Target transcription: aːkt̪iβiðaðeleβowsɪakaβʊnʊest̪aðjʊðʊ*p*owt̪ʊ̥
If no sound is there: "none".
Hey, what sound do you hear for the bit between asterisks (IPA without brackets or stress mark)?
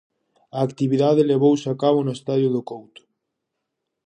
k